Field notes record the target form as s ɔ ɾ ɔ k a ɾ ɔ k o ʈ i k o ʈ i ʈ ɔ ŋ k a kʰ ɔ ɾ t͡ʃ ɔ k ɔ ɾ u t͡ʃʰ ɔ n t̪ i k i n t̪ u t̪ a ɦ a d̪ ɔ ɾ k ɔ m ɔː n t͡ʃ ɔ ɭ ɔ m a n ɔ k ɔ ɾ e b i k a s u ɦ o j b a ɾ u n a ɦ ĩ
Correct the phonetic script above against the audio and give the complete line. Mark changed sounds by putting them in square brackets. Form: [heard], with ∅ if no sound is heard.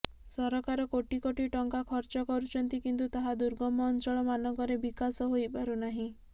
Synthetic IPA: s ɔ ɾ ɔ k a ɾ ɔ k o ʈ i k o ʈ i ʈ ɔ ŋ k a kʰ ɔ ɾ t͡ʃ ɔ k ɔ ɾ u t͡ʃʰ ɔ n t̪ i k i n t̪ u t̪ a ɦ a d̪ [u] ɾ [ɡ] ɔ m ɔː n t͡ʃ ɔ ɭ ɔ m a n ɔ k ɔ ɾ e b i k a s [ɔ] ɦ o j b a ɾ u n a ɦ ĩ